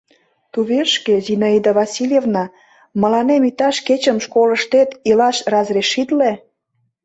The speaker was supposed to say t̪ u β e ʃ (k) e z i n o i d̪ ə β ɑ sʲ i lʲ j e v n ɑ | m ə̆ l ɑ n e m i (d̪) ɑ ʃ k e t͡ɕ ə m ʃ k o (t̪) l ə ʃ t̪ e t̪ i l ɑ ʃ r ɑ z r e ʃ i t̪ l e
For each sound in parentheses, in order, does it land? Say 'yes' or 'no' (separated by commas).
yes, no, no